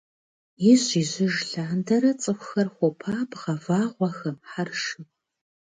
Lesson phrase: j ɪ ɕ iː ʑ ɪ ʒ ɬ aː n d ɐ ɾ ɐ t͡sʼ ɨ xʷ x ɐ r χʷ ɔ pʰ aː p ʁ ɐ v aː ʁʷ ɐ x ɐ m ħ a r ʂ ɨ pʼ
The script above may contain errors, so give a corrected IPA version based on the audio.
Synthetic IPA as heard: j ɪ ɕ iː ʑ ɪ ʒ ɬ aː n d ɐ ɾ ɐ t͡sʼ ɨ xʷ x ɐ r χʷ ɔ pʰ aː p ʁ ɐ v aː ʁʷ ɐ x ɐ m ħ a r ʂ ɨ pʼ